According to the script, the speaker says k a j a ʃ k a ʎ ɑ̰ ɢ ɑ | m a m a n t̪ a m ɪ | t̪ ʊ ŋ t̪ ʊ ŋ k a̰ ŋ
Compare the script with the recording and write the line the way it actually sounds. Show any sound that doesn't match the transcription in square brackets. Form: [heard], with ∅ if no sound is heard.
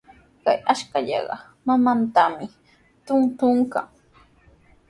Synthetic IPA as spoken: k a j a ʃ k a ʎ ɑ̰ ɢ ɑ | m a m a n t̪ a m ɪ | t̪ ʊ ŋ t̪ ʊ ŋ k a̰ ŋ